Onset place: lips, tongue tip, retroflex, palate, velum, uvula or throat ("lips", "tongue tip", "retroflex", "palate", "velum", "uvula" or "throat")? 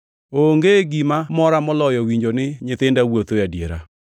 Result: velum